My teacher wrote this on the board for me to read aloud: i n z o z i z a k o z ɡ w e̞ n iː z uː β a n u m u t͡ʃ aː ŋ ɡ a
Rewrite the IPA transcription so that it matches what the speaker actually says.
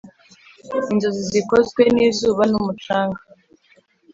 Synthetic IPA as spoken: i n z o z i z i k o z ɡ w e̞ n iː z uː β a n u m u t͡ʃ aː ŋ ɡ a

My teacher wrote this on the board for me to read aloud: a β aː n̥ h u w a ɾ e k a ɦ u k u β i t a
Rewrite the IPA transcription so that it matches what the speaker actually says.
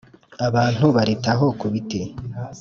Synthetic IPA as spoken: a β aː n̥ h u β a ɾ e t a ɦ o k u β i t e

